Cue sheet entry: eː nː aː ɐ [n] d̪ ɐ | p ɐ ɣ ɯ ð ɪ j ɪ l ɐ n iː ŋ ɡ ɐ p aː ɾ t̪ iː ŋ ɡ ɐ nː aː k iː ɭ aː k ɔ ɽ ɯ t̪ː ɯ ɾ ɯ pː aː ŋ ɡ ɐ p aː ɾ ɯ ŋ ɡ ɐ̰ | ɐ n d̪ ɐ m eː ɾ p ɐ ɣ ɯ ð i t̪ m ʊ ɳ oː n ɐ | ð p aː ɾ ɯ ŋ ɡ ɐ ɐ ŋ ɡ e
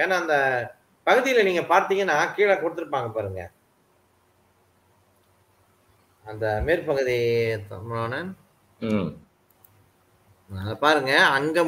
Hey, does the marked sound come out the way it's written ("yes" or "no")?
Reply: yes